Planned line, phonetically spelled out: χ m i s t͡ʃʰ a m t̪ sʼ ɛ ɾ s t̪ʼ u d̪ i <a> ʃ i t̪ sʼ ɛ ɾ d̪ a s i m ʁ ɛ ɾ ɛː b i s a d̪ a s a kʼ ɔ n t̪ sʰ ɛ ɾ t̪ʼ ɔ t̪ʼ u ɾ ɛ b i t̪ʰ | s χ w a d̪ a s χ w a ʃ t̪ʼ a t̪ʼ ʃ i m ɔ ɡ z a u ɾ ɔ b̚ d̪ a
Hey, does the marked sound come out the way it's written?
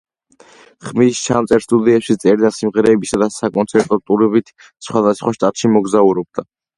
no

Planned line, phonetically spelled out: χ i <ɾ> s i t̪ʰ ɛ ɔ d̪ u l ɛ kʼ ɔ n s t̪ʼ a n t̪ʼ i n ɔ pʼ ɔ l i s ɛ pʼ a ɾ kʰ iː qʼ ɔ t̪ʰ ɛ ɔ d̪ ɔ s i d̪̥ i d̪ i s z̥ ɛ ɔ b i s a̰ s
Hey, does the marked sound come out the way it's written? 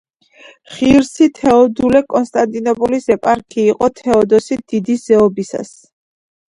yes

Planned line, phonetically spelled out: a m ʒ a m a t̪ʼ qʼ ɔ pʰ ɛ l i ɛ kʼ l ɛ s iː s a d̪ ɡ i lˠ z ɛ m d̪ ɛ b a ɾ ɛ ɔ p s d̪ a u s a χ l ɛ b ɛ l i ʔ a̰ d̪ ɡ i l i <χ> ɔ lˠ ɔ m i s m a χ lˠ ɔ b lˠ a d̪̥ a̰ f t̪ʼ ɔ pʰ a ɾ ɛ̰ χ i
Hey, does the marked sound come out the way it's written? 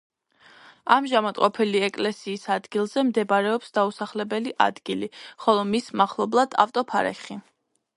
yes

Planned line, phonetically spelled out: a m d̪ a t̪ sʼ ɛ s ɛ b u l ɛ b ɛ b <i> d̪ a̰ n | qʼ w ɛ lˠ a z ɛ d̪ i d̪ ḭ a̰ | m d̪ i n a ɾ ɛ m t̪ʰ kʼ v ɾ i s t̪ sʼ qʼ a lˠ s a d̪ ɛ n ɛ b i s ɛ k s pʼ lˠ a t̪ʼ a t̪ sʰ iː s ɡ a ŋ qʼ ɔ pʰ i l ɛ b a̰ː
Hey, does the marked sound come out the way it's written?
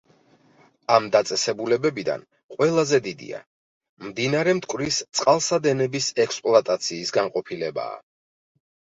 yes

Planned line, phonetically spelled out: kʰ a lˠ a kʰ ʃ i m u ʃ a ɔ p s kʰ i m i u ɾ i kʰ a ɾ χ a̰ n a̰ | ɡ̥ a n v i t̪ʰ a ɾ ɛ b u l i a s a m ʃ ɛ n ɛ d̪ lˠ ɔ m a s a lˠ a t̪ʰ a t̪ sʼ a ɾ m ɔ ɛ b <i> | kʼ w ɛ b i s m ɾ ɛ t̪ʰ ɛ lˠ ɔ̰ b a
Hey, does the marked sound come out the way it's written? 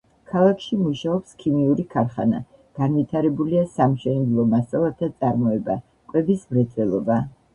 no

